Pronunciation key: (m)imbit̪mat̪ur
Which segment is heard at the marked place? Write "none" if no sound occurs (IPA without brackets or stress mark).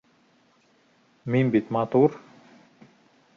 m